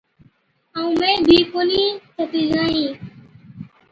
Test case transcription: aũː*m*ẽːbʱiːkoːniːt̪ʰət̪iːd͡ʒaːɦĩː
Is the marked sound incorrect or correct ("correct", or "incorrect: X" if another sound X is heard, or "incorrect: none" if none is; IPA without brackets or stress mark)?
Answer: correct